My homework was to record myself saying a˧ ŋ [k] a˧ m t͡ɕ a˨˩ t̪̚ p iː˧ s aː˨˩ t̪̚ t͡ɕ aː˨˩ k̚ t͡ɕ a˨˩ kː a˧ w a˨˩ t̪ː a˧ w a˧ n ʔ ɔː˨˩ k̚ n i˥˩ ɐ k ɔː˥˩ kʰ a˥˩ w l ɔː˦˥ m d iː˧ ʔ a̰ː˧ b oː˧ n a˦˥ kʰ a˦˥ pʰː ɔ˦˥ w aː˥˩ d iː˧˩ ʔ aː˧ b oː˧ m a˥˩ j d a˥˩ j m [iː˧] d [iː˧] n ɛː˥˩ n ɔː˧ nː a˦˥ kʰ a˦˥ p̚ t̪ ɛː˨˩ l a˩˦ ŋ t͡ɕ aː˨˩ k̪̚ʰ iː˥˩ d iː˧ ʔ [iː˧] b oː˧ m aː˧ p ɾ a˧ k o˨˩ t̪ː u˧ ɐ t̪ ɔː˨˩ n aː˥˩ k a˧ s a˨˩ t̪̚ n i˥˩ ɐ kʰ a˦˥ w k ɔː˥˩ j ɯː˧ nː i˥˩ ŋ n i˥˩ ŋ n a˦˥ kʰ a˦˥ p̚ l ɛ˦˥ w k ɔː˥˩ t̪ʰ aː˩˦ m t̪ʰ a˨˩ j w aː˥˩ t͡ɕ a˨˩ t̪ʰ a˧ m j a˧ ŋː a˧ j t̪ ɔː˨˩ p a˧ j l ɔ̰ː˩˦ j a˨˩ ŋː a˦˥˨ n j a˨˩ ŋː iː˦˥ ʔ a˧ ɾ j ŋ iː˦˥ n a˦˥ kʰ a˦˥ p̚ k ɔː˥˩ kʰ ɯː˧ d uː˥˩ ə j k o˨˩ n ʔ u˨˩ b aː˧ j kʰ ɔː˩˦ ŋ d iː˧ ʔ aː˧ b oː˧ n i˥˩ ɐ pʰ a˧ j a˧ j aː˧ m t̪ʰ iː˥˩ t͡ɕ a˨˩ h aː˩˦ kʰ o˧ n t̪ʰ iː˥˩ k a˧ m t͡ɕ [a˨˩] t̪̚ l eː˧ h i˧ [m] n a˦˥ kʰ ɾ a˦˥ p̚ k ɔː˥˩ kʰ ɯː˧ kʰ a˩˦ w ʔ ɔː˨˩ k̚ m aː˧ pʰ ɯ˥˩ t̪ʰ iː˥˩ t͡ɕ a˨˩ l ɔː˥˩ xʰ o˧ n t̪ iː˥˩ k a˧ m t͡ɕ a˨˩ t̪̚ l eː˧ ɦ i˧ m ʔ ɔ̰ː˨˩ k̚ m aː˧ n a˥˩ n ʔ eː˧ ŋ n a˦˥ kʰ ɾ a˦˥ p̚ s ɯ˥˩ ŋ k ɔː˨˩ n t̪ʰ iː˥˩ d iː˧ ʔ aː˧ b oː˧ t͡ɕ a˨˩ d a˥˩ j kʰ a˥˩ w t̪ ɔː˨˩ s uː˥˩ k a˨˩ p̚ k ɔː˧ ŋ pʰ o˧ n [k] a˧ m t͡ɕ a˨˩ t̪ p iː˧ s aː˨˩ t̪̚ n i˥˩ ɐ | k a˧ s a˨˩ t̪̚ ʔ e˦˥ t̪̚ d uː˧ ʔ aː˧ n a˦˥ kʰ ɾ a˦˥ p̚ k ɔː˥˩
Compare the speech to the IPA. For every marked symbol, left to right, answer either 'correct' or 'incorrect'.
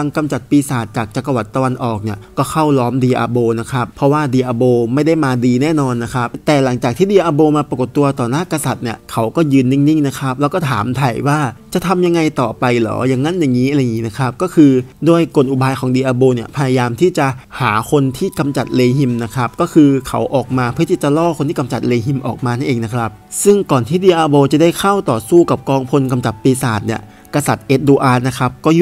correct, incorrect, correct, incorrect, correct, correct, correct

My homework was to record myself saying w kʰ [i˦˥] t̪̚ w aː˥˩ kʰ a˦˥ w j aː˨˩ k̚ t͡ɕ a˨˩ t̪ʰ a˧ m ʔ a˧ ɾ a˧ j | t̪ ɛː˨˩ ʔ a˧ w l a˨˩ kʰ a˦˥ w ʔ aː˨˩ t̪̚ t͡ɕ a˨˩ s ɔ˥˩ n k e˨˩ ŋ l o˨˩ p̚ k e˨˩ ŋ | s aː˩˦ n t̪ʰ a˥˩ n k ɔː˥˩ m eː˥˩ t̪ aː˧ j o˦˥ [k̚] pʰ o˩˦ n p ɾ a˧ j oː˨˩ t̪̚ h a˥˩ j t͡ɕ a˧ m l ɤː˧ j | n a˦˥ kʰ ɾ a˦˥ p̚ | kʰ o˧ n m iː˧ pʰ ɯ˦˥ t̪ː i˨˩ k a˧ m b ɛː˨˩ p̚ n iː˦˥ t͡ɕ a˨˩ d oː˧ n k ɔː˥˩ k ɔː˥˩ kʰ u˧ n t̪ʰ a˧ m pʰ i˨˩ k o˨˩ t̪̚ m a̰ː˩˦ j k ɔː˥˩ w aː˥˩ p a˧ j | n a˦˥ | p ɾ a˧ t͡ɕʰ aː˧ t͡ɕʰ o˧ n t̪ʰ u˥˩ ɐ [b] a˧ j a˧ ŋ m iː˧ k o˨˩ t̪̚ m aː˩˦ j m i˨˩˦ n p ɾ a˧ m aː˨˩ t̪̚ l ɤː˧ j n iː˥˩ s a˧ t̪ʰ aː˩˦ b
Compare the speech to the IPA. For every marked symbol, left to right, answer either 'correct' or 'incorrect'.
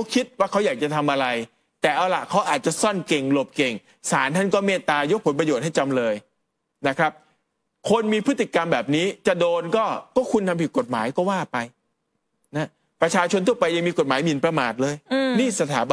correct, correct, incorrect

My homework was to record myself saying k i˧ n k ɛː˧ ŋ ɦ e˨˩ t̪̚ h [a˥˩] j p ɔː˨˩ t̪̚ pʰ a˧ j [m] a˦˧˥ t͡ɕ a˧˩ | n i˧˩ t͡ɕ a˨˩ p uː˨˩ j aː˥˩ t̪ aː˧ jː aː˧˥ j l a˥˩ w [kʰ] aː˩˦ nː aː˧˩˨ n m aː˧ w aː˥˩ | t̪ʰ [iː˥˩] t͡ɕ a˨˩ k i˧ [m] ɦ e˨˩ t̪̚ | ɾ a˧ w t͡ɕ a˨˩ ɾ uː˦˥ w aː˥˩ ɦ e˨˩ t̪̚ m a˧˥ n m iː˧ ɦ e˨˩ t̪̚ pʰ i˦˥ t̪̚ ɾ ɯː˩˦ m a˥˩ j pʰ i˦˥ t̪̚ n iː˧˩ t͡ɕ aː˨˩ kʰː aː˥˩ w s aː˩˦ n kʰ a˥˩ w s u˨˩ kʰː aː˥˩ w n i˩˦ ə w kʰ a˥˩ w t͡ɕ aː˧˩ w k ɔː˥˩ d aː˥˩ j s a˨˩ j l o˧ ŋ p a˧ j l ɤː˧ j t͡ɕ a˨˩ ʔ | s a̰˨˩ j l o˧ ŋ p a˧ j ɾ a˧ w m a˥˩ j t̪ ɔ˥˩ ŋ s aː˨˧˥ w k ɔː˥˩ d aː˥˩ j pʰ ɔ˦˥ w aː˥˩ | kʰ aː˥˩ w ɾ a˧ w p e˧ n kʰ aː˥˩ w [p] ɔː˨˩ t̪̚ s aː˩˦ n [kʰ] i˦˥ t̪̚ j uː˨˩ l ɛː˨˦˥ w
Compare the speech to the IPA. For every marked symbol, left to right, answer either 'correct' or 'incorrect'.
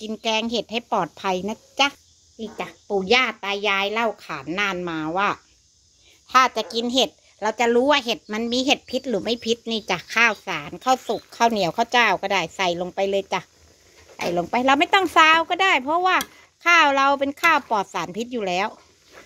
correct, incorrect, correct, incorrect, incorrect, correct, incorrect

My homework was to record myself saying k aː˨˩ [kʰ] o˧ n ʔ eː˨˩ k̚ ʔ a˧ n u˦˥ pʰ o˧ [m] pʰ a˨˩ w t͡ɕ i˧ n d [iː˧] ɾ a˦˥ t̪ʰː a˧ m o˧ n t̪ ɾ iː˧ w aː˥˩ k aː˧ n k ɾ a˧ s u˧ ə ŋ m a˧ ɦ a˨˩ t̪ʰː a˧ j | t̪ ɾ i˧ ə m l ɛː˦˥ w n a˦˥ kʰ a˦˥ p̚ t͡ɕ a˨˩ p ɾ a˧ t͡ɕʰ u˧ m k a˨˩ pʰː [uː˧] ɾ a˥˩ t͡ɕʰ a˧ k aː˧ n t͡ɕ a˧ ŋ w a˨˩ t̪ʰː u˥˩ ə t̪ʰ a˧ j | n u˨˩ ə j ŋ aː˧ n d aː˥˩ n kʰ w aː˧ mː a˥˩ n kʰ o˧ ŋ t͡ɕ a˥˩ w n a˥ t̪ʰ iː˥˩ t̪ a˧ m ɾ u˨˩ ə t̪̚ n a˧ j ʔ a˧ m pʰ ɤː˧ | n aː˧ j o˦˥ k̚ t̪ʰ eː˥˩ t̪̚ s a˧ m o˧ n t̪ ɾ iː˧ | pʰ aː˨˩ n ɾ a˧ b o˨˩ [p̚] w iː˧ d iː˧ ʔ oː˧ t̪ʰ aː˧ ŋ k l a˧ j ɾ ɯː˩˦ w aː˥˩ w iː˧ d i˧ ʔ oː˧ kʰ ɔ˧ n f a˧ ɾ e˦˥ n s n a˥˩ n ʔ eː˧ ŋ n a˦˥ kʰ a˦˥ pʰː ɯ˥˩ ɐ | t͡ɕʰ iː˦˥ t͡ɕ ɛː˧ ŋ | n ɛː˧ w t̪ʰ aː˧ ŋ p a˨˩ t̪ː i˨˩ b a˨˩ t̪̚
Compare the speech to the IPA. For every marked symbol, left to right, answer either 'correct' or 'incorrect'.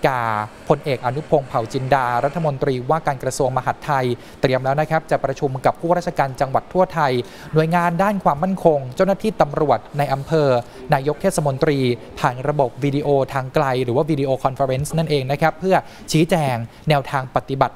incorrect, incorrect, incorrect, incorrect, correct

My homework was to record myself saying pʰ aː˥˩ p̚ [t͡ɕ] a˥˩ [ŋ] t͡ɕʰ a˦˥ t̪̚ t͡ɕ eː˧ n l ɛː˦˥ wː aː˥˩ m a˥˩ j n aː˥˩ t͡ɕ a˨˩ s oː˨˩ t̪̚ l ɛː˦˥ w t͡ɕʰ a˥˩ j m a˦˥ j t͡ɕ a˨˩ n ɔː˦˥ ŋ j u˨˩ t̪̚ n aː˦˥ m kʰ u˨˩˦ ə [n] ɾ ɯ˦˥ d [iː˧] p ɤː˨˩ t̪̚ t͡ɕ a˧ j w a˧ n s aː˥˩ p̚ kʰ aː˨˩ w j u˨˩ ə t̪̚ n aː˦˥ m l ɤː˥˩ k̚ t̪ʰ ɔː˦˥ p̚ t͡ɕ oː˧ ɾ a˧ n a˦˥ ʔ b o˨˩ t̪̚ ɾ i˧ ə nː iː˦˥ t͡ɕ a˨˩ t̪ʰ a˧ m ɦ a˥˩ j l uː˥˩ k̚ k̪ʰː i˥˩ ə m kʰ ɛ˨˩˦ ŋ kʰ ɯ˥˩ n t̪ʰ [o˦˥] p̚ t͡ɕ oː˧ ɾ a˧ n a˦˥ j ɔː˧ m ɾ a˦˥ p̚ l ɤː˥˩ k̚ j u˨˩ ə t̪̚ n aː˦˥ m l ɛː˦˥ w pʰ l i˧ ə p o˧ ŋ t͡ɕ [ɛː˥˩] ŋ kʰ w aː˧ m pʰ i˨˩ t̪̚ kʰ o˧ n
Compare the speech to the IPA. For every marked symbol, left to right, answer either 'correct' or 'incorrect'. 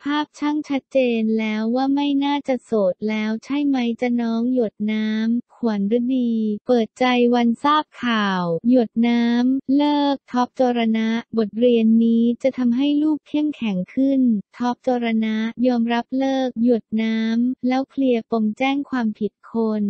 incorrect, correct, correct, correct, incorrect, correct

